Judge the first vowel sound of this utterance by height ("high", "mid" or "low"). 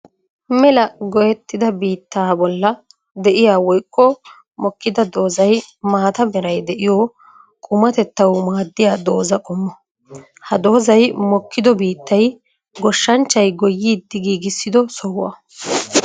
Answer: mid